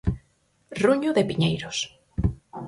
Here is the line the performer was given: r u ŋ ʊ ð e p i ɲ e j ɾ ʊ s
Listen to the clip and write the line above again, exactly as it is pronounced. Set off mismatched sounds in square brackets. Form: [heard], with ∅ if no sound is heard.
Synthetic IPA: r u [ɲ] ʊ ð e p i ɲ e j ɾ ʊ s

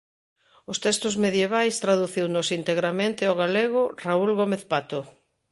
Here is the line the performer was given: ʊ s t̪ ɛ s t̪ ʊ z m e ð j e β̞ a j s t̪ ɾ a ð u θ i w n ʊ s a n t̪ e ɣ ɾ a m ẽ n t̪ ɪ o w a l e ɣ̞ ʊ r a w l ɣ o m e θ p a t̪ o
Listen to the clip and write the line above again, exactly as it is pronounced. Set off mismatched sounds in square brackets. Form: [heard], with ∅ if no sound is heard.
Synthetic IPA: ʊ s t̪ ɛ s t̪ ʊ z m e ð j e β̞ a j s t̪ ɾ a ð u θ i w n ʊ s [i] n t̪ e ɣ ɾ a m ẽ n t̪ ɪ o [ɣ] a l e ɣ̞ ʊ r a [u] l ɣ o m e θ p a t̪ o

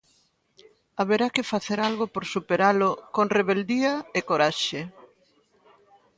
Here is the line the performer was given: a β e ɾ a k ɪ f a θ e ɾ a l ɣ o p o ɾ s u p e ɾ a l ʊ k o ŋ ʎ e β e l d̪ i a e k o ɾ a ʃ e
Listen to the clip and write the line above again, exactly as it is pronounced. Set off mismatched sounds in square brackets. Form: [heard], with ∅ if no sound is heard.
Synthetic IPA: a β e ɾ a k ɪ f a θ e ɾ a l ɣ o p o ɾ s u p e ɾ a l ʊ k o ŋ [r] e β e l d̪ i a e k o ɾ a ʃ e

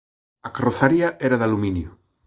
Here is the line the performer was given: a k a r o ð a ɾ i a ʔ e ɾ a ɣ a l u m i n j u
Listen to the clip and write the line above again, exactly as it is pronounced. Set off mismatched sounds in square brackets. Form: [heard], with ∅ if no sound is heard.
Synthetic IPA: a k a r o [θ] a ɾ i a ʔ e ɾ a [ð] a l u m i n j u

